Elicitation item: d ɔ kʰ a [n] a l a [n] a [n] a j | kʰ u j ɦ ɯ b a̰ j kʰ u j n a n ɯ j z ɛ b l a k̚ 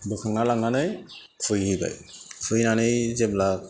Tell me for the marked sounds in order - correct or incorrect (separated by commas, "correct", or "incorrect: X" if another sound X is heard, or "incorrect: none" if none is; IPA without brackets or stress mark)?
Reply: incorrect: ŋ, incorrect: ŋ, correct